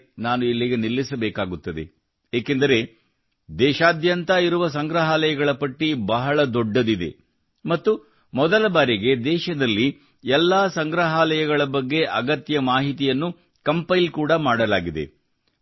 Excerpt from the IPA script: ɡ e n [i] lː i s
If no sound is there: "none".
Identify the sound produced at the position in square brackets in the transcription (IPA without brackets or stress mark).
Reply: i